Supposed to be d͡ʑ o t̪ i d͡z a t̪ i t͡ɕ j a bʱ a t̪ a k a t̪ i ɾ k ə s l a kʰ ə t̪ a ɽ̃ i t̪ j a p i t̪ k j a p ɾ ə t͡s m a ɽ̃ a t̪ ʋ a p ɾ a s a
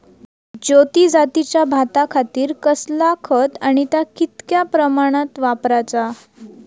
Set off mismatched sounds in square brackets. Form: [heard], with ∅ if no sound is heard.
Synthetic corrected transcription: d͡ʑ o t̪ i d͡z a t̪ i t͡ɕ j a bʱ a t̪ a [kʰ] a t̪ [iː] ɾ k ə s l a kʰ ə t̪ a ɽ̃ i t̪ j a [k] i t̪ k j a p ɾ ə [∅] m a ɽ̃ a t̪ ʋ a p ɾ a [t͡s] a